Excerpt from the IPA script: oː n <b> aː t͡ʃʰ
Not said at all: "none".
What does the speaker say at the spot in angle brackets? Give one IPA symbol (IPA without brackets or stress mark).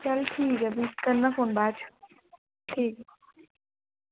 b